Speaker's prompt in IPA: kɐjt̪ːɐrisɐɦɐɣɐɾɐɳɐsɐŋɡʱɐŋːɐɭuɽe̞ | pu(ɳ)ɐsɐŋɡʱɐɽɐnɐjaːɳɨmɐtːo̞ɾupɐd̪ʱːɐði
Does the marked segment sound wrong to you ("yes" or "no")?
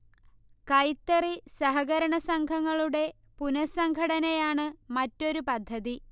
yes